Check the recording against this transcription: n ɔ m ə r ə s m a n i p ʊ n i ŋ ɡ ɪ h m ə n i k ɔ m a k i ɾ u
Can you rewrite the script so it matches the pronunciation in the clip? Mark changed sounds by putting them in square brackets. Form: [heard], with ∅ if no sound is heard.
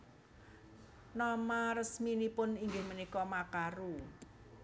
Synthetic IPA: n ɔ m [a] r ə s m [i] n i p ʊ n i ŋ ɡ ɪ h m ə n i k ɔ m a k [a] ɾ u

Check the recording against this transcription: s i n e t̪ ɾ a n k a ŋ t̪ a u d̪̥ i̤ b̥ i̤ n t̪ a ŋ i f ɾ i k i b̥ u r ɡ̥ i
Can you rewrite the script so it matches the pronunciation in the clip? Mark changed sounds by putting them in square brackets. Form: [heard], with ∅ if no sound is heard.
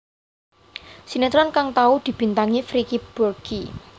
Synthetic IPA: s i n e t̪ ɾ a n k a ŋ t̪ a u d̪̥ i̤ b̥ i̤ n t̪ a ŋ i f ɾ i k i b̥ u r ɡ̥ i

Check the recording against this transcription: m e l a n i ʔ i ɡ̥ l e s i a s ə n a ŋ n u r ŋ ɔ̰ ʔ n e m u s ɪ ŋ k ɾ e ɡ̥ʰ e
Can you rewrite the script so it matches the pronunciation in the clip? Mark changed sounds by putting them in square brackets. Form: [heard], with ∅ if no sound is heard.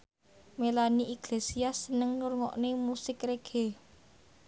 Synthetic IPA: m e l a n i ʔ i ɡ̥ l e s i a s ə n [ə] ŋ n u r ŋ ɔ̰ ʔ n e m u s ɪ [∅] k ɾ e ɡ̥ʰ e

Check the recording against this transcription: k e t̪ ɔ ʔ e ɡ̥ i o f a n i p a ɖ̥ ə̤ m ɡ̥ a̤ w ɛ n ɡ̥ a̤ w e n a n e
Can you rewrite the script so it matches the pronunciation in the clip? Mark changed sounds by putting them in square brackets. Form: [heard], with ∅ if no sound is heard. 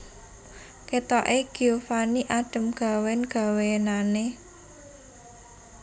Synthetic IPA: k e t̪ ɔ ʔ e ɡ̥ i o f a n i [ʔ] a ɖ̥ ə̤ m ɡ̥ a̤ w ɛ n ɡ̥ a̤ w e n a n e

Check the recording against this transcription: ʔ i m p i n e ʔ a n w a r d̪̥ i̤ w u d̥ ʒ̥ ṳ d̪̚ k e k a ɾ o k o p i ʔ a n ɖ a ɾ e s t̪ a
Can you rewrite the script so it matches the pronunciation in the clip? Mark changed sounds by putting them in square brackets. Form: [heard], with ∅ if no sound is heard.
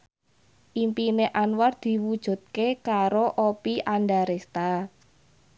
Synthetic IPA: ʔ i m p i n e ʔ a n w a r d̪̥ i̤ w u d̥ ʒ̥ ṳ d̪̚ k e k a ɾ o [ʔ] o p i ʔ a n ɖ a ɾ e s t̪ a

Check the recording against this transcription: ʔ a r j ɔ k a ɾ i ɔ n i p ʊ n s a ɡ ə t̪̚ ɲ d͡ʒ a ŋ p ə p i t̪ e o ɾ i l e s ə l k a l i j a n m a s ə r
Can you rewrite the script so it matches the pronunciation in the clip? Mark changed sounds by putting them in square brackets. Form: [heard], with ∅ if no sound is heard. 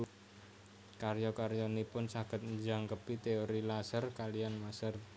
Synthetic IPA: [k] a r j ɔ k a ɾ [j] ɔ n i p ʊ n s a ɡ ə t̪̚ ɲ d͡ʒ a ŋ [k] ə p i t̪ e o ɾ i l [a] s ə [r] k a l i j a n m a s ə r

